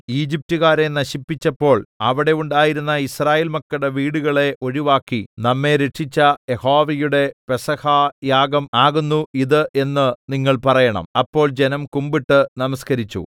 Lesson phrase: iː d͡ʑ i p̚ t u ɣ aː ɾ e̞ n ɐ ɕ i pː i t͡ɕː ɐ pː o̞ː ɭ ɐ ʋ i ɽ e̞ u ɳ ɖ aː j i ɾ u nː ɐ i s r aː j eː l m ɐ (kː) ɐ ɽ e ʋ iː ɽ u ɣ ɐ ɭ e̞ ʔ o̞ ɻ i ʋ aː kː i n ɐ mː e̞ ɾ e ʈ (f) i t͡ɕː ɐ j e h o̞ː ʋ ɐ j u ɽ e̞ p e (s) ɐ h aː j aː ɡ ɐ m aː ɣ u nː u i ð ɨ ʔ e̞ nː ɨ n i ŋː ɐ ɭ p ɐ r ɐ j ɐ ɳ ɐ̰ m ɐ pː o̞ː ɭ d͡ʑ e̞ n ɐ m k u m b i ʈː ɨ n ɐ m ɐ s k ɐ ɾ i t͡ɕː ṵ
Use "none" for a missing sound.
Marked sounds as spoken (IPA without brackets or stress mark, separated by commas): kː, ʂ, s